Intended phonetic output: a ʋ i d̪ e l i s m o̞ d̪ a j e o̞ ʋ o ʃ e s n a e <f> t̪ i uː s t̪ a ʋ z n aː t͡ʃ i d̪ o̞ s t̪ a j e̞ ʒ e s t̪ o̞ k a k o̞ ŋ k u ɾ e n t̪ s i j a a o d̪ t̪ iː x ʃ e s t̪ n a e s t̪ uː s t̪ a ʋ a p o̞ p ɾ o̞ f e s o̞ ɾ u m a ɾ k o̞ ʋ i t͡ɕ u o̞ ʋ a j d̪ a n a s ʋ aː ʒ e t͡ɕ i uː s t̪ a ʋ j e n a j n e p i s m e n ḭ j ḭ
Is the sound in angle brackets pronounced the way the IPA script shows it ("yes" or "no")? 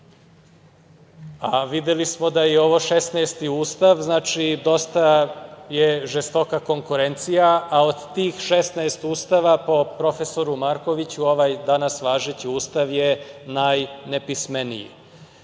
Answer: no